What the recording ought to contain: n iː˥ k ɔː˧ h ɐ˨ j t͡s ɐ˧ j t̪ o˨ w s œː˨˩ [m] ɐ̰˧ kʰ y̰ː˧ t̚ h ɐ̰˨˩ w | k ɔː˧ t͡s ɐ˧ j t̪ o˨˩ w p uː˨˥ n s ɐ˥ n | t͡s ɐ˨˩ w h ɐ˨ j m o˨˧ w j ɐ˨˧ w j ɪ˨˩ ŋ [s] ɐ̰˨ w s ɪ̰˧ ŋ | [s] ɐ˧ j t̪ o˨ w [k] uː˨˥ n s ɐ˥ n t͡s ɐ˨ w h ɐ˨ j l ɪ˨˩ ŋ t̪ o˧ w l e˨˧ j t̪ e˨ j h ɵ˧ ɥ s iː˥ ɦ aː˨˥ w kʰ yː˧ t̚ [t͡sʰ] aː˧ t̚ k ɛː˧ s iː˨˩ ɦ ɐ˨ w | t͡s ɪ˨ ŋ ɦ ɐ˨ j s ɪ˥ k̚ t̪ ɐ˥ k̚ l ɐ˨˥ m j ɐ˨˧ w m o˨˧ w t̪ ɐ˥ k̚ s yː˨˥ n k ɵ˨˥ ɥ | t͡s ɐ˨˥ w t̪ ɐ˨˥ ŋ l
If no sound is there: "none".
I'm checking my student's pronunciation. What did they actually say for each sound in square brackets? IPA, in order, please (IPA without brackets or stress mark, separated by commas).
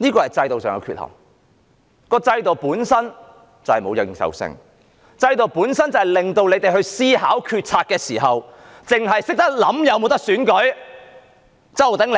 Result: ŋ, s, t͡s, p, t͡sʰ